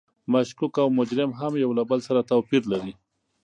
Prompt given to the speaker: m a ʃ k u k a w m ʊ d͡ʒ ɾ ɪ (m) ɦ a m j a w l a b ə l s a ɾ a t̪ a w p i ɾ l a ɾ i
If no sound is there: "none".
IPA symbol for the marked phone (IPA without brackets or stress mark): m